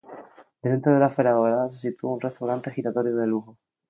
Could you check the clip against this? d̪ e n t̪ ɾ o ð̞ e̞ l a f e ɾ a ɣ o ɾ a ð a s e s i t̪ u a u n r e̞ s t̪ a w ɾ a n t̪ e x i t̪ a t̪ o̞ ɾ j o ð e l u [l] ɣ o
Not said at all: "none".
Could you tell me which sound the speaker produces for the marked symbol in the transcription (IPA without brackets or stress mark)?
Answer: none